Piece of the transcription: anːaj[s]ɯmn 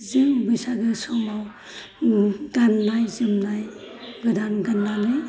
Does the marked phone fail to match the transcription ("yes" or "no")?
yes